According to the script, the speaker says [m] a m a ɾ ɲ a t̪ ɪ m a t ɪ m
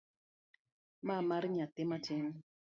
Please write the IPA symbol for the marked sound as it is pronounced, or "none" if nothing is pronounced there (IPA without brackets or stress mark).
m